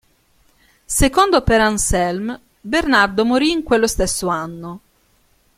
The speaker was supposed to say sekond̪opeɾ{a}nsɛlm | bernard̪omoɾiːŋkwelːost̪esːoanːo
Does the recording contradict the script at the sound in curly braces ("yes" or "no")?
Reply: no